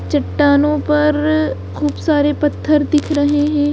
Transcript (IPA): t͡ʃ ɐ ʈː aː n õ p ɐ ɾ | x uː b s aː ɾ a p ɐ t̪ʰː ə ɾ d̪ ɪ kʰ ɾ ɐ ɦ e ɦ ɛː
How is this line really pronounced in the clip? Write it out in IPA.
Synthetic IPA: t͡ʃ ɐ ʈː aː n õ p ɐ ɾ | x uː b s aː ɾ e p ɐ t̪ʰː ə ɾ d̪ ɪ kʰ ɾ ɐ ɦ e ɦ ɛ̃ː